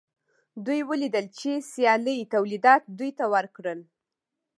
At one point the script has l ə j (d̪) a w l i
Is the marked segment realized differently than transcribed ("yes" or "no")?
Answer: yes